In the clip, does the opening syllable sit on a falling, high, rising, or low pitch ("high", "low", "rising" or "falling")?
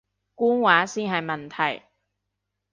high